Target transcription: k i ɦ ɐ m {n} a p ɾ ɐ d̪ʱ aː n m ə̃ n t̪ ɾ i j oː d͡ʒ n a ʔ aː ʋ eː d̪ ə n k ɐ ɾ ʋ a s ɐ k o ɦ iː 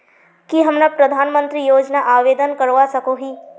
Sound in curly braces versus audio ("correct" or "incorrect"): correct